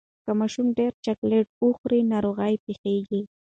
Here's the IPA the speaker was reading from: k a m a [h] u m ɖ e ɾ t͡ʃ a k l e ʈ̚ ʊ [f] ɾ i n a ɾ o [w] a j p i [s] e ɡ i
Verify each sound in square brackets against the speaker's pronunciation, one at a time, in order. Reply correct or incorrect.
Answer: incorrect: ʃ, incorrect: x, incorrect: ɣ, incorrect: x

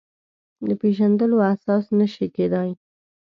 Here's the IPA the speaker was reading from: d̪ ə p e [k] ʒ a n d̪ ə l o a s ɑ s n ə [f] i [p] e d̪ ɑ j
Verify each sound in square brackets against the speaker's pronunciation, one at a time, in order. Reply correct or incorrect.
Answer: incorrect: none, incorrect: ʃ, incorrect: k

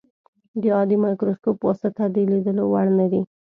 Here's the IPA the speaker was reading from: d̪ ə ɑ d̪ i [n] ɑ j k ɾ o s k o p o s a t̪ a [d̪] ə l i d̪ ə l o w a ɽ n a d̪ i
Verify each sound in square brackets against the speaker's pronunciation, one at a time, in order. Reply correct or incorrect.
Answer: incorrect: m, correct

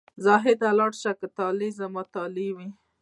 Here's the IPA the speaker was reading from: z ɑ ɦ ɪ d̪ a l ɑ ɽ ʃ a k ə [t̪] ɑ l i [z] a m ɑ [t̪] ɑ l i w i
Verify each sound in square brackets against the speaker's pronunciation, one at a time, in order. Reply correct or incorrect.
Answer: correct, correct, correct

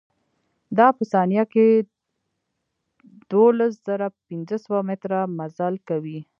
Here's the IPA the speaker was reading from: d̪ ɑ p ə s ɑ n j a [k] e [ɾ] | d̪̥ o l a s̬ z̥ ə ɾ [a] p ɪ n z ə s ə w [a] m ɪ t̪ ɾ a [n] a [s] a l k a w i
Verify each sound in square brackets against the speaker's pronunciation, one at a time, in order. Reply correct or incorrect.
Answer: correct, incorrect: none, correct, correct, incorrect: m, incorrect: z

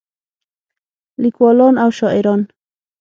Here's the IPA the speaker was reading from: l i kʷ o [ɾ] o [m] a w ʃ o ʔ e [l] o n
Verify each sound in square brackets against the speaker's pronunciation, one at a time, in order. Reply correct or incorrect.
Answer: incorrect: l, incorrect: n, incorrect: ɾ

